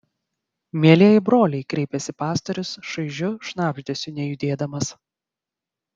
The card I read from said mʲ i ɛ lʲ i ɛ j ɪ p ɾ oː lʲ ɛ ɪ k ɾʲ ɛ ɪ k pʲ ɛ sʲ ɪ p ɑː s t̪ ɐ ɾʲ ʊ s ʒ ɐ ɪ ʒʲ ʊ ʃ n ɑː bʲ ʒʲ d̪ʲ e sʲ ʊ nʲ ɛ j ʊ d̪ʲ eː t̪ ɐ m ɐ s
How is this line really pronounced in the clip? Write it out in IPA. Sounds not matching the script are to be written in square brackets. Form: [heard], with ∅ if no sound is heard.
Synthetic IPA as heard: mʲ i ɛ lʲ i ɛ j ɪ [b] ɾ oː lʲ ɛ ɪ k ɾʲ ɛ ɪ [∅] pʲ ɛ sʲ ɪ p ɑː s t̪ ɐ ɾʲ ʊ s [ʃ] ɐ ɪ ʒʲ ʊ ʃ n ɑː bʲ ʒʲ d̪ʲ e sʲ ʊ nʲ ɛ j ʊ d̪ʲ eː [d̪] ɐ m ɐ s